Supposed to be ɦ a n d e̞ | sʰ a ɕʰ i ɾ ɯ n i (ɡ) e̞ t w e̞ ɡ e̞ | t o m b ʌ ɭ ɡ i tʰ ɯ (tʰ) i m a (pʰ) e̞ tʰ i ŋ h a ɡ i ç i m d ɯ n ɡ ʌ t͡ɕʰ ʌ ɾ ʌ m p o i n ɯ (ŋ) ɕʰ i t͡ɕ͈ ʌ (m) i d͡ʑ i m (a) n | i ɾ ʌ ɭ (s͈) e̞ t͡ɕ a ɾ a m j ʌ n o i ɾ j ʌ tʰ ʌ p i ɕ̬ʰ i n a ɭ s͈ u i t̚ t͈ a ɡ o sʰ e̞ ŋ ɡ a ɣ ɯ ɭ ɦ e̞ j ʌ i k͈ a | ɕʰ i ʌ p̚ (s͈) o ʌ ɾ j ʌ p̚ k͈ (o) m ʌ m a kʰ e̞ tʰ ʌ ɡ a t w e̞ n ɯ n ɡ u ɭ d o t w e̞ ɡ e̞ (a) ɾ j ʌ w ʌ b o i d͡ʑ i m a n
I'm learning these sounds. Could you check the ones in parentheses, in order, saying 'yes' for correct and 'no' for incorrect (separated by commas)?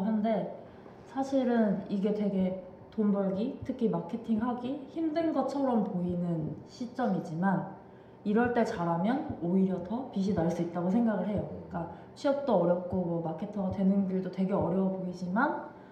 yes, no, no, no, yes, yes, no, no, yes, no